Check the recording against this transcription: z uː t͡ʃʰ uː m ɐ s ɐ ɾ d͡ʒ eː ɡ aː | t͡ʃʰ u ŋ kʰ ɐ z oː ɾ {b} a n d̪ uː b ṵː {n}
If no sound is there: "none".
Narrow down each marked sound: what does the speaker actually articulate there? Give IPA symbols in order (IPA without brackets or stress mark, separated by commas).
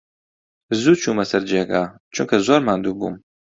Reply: m, m